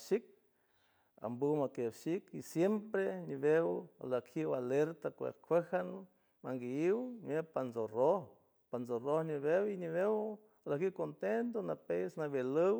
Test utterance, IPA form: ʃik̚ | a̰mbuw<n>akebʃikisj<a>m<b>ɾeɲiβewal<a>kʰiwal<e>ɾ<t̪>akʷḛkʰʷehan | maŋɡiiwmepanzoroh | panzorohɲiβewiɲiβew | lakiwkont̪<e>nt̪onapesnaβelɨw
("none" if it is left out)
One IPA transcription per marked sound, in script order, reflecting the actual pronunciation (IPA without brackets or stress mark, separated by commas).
m, e, p, a, e, t̪, e